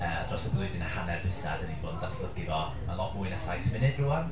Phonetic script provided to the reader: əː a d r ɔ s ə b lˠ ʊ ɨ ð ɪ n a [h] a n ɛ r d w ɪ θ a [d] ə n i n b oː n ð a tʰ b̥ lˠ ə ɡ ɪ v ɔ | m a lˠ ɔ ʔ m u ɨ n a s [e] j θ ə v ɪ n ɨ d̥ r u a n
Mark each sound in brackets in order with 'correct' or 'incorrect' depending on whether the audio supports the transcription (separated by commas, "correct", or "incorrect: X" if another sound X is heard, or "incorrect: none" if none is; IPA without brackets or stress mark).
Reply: correct, correct, incorrect: a